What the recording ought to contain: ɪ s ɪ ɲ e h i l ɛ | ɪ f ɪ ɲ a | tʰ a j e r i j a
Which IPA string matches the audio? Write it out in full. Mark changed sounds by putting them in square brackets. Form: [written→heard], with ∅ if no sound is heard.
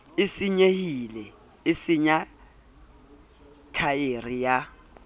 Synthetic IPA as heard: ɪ s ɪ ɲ e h i l ɛ | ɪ [f→s] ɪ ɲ a | tʰ a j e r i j a